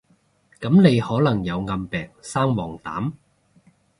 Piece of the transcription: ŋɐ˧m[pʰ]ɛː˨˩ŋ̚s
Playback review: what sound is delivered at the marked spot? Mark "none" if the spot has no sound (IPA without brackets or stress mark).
p